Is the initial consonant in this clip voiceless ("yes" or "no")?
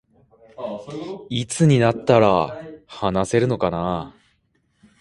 yes